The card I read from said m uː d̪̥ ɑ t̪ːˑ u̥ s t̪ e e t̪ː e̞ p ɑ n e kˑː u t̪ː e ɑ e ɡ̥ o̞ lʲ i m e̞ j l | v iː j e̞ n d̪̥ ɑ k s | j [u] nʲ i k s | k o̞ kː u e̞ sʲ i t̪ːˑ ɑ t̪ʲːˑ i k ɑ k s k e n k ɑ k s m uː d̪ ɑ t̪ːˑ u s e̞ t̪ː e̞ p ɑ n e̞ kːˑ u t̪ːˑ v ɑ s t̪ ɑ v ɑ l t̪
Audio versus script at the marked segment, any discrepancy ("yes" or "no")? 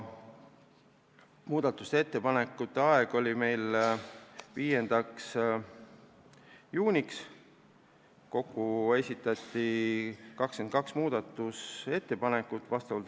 yes